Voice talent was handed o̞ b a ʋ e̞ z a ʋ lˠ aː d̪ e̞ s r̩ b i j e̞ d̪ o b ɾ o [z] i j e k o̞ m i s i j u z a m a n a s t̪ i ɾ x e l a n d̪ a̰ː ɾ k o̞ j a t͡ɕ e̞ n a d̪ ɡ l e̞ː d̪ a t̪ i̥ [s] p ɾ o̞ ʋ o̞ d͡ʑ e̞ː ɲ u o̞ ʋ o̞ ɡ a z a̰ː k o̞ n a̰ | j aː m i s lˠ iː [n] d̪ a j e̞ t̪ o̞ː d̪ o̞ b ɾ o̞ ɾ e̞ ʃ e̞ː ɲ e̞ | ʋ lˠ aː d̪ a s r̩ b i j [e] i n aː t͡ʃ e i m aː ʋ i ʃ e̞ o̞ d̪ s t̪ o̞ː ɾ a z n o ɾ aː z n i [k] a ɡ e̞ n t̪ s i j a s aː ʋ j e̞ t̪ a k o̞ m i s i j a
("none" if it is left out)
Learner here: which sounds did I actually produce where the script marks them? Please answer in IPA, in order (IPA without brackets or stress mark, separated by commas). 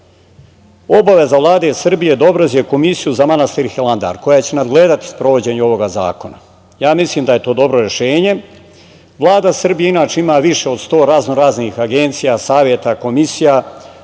z, s, m, e, x